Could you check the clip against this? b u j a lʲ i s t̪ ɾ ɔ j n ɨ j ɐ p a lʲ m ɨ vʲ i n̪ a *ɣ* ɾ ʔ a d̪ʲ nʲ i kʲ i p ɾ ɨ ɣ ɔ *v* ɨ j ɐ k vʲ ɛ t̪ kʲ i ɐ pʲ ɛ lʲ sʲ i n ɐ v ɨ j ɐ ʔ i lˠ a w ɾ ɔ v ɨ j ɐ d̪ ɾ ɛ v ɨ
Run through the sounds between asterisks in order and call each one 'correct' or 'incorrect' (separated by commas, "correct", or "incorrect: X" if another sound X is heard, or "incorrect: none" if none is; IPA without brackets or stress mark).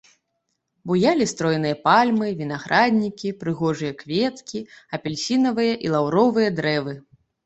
correct, incorrect: ʐ